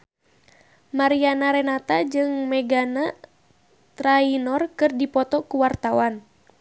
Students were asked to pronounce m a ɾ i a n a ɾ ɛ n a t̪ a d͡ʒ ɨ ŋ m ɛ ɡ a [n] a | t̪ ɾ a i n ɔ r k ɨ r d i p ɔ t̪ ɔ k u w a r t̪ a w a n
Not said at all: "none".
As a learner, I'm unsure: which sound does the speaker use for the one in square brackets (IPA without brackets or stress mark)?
n